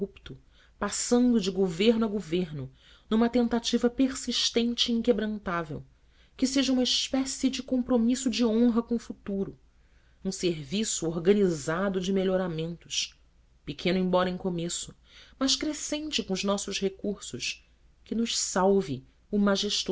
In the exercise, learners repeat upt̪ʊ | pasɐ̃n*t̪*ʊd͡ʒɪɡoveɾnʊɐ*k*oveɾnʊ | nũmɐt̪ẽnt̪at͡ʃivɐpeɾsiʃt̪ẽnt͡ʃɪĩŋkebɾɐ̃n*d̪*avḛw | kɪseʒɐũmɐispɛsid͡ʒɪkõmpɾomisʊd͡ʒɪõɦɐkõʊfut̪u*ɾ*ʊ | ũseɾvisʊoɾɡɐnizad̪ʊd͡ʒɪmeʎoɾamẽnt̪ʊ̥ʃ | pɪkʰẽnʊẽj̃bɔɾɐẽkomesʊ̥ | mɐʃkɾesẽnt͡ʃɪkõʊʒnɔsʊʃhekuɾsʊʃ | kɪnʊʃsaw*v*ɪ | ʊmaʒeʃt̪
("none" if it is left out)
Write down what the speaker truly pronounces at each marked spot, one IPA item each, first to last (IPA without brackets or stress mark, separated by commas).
d̪, ɡ, t̪, ɾ, v